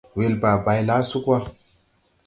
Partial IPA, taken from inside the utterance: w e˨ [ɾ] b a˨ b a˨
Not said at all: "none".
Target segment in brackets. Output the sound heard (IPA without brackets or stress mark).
l